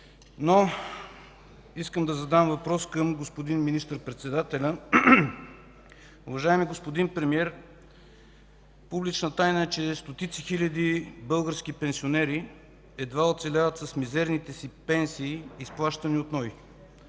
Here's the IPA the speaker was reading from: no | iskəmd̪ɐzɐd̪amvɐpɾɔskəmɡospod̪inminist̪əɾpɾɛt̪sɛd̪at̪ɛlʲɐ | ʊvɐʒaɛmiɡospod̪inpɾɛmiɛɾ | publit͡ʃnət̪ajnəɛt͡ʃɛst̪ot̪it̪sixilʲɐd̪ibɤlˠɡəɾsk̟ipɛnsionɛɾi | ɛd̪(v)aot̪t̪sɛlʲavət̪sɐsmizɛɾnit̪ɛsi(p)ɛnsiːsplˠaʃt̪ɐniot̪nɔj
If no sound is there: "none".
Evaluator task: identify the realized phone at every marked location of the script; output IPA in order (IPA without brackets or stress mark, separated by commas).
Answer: v, p